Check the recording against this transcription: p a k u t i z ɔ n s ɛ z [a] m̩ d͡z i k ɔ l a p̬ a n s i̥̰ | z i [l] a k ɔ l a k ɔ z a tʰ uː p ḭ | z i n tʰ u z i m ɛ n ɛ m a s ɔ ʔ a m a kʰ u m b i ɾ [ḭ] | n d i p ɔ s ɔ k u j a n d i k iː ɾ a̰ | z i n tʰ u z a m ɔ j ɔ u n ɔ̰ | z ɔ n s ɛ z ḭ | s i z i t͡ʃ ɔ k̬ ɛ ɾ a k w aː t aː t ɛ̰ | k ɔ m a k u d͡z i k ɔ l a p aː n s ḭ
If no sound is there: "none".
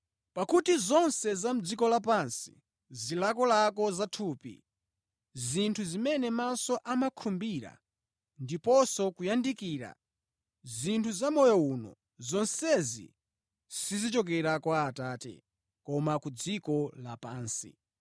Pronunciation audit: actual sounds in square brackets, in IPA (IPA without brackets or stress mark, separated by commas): a, l, a̰